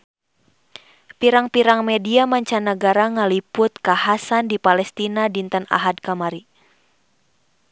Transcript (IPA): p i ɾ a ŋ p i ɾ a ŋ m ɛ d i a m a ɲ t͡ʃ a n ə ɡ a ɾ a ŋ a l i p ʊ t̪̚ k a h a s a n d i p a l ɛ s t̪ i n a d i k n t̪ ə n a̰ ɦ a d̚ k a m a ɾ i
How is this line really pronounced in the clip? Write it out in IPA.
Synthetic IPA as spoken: p i ɾ a ŋ p i ɾ a ŋ m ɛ d i a m a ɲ t͡ʃ a n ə ɡ a ɾ a ŋ a l i p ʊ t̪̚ k a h a s a n d i p a l ɛ s t̪ i n a d i n t̪ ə n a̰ ɦ a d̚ k a m a ɾ i